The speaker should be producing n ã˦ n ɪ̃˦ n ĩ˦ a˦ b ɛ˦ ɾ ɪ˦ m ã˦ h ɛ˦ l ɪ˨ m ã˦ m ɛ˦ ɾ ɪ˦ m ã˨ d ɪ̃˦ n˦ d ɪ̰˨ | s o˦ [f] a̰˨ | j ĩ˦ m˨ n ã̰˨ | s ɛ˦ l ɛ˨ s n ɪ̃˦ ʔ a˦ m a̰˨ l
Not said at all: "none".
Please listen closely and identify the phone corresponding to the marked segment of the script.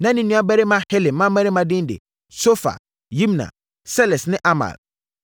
f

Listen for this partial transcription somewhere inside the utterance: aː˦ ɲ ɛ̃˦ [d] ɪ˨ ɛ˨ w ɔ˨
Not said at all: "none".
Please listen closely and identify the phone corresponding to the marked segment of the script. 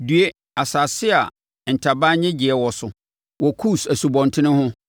d͡ʑ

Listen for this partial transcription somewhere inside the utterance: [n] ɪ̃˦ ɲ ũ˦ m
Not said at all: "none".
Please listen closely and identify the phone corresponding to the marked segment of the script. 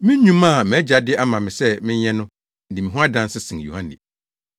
m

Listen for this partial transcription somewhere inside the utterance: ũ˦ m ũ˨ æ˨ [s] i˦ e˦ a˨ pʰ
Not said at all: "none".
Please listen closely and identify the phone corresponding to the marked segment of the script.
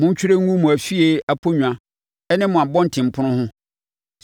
f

